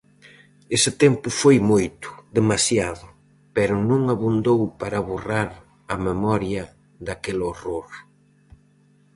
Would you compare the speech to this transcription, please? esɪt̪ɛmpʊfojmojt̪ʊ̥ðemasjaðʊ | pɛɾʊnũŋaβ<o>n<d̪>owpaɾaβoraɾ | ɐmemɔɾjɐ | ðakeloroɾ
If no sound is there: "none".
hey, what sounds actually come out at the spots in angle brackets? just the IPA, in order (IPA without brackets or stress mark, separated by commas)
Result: u, d̪